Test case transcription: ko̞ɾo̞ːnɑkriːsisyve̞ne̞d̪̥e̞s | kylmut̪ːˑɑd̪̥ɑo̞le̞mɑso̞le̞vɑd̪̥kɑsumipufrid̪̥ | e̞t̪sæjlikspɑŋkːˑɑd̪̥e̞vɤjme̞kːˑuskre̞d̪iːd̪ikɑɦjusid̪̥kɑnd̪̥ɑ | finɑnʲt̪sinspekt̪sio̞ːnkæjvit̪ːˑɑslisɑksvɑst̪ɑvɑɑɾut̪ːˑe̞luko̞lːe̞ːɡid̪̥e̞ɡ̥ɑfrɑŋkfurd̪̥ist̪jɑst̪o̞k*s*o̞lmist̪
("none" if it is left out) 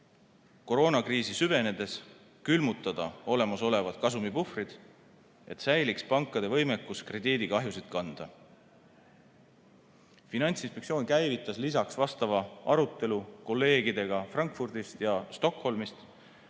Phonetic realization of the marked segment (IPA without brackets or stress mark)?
h